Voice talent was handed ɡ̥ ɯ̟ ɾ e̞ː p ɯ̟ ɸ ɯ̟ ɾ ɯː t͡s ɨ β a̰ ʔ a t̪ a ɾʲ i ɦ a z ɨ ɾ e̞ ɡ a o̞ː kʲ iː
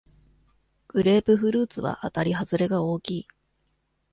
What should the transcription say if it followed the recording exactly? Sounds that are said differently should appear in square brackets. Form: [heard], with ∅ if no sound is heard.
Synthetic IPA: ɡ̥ ɯ̟ ɾ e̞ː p ɯ̟ ɸ ɯ̟ ɾ ɯː t͡s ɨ β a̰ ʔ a t̪ a ɾʲ i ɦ a z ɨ ɾ e̞ ɡ a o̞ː kʲ iː